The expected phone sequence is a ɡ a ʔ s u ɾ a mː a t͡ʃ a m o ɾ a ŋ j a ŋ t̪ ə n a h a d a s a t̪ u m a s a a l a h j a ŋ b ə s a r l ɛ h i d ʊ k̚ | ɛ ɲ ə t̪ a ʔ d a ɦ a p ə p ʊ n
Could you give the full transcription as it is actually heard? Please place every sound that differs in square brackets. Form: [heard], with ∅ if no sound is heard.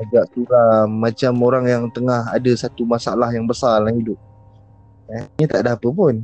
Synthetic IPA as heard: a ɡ a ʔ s u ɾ a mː a t͡ʃ a m o ɾ a ŋ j a ŋ t̪ ə [ŋ] a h a d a s a t̪ u m a s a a l a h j a ŋ b ə s a r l [a] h i d ʊ [p̚] | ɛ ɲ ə t̪ a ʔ d a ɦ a p ə p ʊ n